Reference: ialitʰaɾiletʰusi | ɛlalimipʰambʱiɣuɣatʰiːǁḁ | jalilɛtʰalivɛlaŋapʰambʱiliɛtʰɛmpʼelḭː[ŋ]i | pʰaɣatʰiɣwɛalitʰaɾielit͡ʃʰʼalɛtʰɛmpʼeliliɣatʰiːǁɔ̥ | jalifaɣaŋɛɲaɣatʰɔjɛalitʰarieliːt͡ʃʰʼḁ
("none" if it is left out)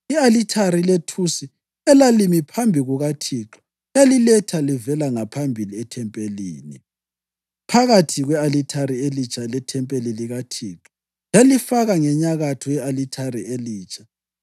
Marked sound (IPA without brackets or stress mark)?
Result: n